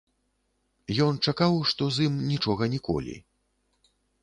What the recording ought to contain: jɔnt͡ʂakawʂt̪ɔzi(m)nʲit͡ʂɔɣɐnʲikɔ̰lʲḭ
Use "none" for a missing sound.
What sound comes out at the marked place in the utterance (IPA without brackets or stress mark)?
m